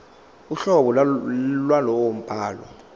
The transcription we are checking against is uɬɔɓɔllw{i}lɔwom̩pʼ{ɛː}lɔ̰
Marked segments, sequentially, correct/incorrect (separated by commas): incorrect, incorrect